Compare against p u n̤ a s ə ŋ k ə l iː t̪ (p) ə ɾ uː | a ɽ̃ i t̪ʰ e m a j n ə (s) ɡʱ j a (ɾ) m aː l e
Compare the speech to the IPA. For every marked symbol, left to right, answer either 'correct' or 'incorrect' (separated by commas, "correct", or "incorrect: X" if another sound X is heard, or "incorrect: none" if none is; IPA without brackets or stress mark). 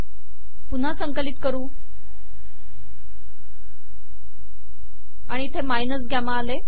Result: incorrect: k, correct, incorrect: none